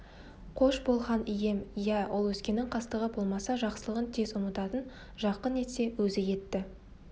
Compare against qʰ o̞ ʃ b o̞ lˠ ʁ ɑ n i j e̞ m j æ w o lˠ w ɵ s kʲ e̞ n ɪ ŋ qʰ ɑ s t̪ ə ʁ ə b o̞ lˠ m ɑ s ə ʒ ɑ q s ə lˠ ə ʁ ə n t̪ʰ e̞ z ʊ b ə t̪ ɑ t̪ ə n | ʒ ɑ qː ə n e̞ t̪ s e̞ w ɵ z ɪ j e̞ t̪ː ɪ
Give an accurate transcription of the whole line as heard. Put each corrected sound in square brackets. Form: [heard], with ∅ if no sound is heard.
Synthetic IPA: qʰ o̞ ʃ b o̞ lˠ ʁ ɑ n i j e̞ m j æ w o lˠ w ɵ s kʲ e̞ n ɪ ŋ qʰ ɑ s t̪ ə ʁ ə b o̞ lˠ m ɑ s [ɑ] ʒ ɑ q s ə lˠ ə ʁ ə n t̪ʰ e̞ z ʊ [m] ə t̪ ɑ t̪ ə n | ʒ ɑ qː ə n e̞ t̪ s e̞ w ɵ z ɪ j e̞ t̪ː ɪ